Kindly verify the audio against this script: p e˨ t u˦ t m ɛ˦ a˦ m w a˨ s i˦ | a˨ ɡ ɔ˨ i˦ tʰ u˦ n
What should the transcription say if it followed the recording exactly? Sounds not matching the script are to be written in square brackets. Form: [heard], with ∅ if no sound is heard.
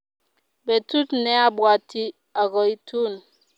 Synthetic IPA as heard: [b] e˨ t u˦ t [n] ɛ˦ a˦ [b] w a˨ [t] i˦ | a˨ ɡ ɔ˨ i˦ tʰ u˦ n